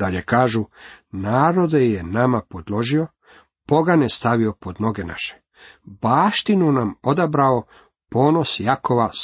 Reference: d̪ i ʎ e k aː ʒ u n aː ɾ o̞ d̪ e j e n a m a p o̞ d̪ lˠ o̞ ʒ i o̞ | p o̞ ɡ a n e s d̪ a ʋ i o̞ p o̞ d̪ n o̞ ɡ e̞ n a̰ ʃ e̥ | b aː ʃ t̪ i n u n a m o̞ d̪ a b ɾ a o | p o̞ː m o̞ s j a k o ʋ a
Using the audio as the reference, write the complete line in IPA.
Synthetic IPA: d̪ a ʎ e k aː ʒ u n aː ɾ o̞ d̪ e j e n a m a p o̞ d̪ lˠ o̞ ʒ i o̞ | p o̞ ɡ a n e s t̪ a ʋ i o̞ p o̞ d̪ n o̞ ɡ e̞ n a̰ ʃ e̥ | b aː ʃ t̪ i n u n a m o̞ d̪ a b ɾ a o | p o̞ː n o̞ s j a k o ʋ a